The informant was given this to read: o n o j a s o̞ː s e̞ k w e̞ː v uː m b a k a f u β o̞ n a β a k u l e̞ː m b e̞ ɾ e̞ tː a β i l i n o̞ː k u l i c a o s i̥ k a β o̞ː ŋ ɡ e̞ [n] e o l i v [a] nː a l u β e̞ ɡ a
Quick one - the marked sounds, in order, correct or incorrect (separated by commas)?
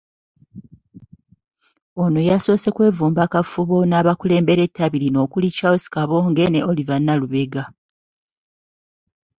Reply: correct, correct